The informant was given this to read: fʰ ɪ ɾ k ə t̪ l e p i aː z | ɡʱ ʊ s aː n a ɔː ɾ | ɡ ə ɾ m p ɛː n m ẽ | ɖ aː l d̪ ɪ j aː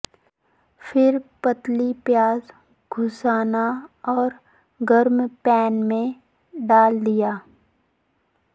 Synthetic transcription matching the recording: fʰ ɪ ɾ p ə t̪ l i p j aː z | ɡʱ ʊ s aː n a ɔː ɾ | ɡ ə ɾ m p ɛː n m ẽ | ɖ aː l d̪ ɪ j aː